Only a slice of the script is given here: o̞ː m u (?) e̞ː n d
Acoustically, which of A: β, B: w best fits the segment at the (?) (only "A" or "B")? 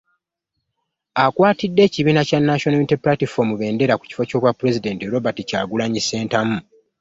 A